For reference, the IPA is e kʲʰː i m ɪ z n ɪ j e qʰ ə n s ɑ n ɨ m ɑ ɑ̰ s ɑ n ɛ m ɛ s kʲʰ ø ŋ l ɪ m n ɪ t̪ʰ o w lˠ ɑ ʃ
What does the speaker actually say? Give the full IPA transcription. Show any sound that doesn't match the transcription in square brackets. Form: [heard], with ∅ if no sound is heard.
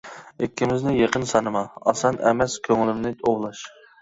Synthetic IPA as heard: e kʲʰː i m ɪ z n ɪ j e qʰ ə n s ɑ n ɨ m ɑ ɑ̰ s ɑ n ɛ m ɛ s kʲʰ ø ŋ l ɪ m n ɪ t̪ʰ o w lˠ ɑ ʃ